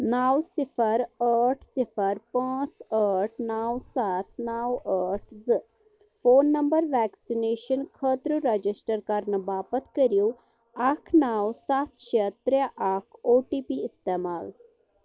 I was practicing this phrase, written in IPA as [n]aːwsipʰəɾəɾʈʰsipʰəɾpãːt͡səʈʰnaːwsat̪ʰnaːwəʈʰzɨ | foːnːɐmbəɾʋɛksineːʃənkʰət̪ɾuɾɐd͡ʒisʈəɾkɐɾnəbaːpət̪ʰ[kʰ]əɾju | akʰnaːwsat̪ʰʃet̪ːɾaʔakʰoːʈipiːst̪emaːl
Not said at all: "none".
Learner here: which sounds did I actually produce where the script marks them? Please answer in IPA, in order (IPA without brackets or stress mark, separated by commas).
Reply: n, k